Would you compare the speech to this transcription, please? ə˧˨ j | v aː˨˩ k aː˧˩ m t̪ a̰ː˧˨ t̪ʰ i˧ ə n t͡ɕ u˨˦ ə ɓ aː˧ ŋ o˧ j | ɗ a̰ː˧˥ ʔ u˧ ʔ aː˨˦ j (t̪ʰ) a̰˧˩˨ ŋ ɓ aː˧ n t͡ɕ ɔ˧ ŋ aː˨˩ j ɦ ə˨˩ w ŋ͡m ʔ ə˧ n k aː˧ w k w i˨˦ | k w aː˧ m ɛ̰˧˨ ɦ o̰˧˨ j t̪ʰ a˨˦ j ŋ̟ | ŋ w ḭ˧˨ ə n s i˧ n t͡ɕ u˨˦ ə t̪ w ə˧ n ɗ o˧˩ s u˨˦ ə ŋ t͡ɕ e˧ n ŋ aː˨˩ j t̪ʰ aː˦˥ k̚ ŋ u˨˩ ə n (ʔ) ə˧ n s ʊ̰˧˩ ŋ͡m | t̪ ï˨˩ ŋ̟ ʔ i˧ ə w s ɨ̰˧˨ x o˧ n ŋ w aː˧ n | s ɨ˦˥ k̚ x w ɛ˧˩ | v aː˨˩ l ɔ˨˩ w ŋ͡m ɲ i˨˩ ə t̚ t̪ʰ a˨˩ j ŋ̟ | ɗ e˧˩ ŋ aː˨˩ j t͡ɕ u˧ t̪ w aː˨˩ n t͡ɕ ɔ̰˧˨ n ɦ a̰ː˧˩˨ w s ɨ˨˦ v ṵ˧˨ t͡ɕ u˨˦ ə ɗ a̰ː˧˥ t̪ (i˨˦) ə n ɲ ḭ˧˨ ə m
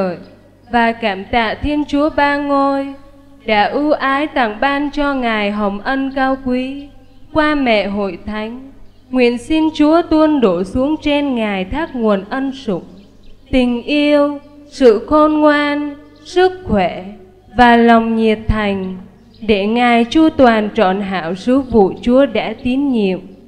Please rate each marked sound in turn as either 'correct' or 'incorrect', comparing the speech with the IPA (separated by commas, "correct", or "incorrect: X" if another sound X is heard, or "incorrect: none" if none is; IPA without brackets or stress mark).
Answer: incorrect: t̪, correct, correct